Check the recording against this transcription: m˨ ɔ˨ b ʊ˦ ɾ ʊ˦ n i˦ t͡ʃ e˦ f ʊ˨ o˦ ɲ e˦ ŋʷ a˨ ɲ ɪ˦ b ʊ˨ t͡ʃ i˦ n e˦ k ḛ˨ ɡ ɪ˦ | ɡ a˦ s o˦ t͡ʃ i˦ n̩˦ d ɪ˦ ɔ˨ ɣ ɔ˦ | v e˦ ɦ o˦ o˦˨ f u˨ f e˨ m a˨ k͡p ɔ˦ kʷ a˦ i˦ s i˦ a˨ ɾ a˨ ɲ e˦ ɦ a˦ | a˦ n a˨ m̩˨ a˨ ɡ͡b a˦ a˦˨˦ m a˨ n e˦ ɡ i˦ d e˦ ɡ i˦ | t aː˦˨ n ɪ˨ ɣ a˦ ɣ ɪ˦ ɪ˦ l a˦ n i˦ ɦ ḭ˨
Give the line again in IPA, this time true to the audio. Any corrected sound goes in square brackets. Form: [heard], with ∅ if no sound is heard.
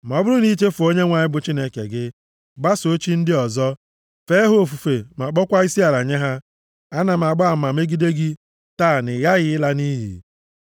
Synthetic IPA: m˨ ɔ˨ b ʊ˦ ɾ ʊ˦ n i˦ t͡ʃ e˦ f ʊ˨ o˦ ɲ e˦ ŋʷ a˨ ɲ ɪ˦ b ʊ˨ t͡ʃ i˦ n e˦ k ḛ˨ ɡ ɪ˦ | [ɡ͡b] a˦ s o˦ t͡ʃ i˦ n̩˦ d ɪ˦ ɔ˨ [z] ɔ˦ | [f] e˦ ɦ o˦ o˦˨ f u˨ f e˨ m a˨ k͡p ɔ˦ kʷ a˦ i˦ s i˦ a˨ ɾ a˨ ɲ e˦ ɦ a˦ | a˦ n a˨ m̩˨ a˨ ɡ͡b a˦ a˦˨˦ m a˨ [m] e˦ ɡ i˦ d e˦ ɡ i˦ | t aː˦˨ n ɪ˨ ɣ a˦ ɣ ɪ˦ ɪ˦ l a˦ n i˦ ɦ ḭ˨

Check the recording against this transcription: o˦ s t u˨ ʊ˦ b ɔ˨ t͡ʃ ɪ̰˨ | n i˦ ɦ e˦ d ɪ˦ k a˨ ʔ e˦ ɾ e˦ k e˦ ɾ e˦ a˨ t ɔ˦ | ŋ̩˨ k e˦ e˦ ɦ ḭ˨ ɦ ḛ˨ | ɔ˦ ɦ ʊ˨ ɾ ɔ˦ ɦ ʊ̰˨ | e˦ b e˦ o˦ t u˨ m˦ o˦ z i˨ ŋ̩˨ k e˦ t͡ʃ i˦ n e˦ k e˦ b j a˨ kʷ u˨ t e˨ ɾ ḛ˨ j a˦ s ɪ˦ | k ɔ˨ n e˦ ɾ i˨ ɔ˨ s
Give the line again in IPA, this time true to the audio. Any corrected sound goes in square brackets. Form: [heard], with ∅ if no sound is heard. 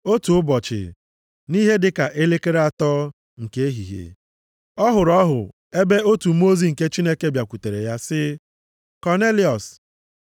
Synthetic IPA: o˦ [∅] t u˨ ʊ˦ b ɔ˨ t͡ʃ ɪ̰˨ | n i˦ ɦ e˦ d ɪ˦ k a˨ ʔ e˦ [l] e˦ k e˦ ɾ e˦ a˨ t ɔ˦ | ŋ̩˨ k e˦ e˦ ɦ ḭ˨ ɦ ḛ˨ | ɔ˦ ɦ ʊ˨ ɾ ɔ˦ ɦ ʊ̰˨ | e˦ b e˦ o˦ t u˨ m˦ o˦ z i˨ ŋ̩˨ k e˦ t͡ʃ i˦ n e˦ k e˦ b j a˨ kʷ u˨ t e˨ ɾ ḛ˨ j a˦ s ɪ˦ | k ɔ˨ n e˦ [l] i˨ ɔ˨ s

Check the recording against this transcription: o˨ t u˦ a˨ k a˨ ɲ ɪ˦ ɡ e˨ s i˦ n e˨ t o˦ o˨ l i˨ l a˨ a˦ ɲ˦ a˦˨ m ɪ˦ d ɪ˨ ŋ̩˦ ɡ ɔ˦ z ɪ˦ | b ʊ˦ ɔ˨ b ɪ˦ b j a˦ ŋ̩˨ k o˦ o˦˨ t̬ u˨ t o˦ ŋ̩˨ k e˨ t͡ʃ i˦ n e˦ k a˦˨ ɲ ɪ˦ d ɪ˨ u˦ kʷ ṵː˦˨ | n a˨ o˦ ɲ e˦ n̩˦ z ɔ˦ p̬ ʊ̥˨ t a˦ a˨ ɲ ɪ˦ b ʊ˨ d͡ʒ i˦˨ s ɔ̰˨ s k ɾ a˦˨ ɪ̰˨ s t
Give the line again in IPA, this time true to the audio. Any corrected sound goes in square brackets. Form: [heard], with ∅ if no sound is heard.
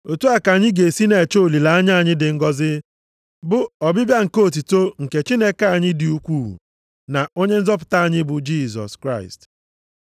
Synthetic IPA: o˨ t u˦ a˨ k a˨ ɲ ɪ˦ ɡ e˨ s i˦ n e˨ [t͡ʃ] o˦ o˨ l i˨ l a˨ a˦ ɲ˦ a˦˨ [ɲ] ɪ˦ d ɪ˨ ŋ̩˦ ɡ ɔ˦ z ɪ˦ | b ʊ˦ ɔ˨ b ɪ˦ b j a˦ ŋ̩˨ k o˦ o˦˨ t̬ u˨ t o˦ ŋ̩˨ k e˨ t͡ʃ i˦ n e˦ k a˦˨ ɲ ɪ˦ d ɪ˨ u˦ kʷ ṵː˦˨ | n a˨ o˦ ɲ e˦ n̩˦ z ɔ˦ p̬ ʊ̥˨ t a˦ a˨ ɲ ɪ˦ b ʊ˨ d͡ʒ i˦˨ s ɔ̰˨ s k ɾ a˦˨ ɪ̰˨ s t

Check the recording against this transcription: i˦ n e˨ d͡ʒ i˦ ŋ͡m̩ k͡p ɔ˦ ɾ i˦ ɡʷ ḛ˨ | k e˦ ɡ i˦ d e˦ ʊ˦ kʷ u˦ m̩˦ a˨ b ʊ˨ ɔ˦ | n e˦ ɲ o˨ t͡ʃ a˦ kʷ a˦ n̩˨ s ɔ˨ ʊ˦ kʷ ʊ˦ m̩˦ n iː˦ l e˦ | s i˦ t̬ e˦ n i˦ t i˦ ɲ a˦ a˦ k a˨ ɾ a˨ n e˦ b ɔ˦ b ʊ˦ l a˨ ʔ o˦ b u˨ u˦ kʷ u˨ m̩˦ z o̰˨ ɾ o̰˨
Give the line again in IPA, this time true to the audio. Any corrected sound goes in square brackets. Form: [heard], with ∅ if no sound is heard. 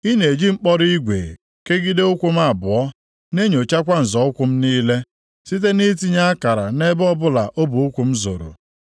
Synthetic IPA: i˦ n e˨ d͡ʒ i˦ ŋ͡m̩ k͡p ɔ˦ ɾ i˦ ɡʷ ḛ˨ | k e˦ ɡ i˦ d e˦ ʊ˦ kʷ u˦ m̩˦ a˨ b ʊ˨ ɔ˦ | n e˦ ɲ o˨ t͡ʃ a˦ kʷ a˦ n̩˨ [z] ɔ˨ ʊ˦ kʷ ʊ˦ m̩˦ n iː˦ l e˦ | s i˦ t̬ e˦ n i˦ t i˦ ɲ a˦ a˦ k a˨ ɾ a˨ n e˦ b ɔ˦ b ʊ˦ l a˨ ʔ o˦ b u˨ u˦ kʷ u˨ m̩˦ z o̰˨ ɾ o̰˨

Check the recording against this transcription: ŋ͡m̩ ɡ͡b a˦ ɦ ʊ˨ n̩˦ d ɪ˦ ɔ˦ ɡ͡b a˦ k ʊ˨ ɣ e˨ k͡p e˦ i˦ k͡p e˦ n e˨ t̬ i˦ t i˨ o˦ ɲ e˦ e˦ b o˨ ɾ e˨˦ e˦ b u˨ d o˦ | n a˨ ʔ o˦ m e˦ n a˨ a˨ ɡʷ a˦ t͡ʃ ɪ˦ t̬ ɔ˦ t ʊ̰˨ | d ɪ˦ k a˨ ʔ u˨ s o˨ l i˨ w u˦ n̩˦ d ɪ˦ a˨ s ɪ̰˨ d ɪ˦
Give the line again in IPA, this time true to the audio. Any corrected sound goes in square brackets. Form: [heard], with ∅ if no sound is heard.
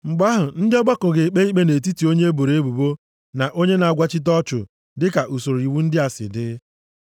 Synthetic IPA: ŋ͡m̩ ɡ͡b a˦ ɦ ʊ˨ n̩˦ d ɪ˦ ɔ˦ ɡ͡b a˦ k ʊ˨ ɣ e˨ k͡p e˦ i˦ k͡p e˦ n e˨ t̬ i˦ t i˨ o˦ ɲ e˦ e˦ b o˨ ɾ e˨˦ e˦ b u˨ [b] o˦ | n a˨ ʔ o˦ [ɲ] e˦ n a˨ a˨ ɡʷ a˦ t͡ʃ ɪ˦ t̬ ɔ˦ [t͡ʃ] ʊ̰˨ | d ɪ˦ k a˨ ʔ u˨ s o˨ [ɾ] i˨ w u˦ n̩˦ d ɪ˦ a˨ s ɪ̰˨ d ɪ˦

